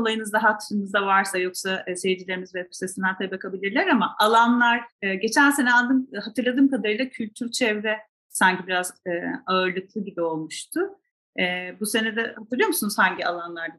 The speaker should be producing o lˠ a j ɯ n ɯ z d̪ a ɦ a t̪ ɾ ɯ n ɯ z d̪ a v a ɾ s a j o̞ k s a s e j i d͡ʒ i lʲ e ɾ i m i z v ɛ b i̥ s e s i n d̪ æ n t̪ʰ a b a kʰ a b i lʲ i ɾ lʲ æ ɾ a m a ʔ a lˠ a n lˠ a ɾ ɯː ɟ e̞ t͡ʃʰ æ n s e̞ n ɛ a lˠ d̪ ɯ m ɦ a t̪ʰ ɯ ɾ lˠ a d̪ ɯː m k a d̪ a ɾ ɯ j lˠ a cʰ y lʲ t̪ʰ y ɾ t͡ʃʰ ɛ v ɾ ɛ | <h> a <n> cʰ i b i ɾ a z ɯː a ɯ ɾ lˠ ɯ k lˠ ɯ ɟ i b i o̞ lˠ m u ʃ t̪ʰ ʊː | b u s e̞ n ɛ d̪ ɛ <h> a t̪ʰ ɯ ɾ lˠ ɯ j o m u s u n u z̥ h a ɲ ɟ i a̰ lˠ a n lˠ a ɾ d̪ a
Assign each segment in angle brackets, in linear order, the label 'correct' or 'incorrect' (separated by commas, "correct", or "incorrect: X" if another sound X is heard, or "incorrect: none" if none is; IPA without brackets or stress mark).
incorrect: s, incorrect: ɲ, correct